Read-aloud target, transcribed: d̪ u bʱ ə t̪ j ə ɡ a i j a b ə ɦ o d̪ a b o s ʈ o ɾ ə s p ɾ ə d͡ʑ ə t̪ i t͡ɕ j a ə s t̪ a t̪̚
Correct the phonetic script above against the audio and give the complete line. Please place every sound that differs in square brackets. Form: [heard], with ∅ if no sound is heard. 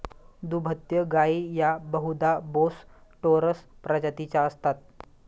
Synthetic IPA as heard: d̪ u bʱ ə t̪ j ə ɡ a i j a b ə ɦ [u] d̪ a b o s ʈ o ɾ ə s p ɾ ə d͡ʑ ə t̪ i t͡ɕ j a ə s t̪ a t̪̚